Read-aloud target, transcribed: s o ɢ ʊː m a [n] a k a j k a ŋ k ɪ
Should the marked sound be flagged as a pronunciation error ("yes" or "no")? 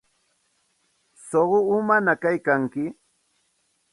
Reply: no